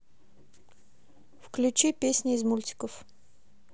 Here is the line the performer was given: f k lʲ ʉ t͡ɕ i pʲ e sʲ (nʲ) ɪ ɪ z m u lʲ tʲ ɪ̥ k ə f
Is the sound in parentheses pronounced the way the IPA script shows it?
yes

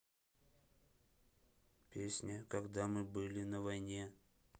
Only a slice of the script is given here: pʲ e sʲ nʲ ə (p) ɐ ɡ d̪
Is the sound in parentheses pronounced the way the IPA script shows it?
no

